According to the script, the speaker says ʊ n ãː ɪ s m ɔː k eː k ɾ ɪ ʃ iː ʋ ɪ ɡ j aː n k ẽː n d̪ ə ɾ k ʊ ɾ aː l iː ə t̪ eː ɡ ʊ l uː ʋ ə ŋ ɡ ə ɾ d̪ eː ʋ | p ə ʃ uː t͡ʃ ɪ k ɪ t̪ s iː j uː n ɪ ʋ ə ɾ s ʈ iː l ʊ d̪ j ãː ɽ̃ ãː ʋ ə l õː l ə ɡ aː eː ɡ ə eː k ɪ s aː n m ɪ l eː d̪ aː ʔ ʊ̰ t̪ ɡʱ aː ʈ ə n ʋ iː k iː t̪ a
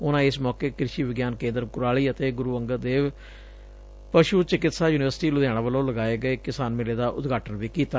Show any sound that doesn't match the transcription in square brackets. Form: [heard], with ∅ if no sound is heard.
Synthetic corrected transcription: ʊ n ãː ɪ s m ɔː k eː k ɾ ɪ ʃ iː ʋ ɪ ɡ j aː n k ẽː n d̪ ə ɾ k ʊ ɾ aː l iː ə t̪ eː ɡ ʊ [ɾ] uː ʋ ə ŋ ɡ ə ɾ d̪ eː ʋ | p ə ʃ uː t͡ʃ ɪ k ɪ t̪ s [aː] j uː n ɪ ʋ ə ɾ s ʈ iː l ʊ d̪ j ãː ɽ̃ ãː ʋ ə l õː l ə ɡ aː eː ɡ ə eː k ɪ s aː n m ɪ l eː d̪ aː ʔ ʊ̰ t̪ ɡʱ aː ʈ ə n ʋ iː k iː t̪ a